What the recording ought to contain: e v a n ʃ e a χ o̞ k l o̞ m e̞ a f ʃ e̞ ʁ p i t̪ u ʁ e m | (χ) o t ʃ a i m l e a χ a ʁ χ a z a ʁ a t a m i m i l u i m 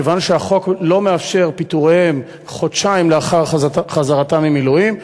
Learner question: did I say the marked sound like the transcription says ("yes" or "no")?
yes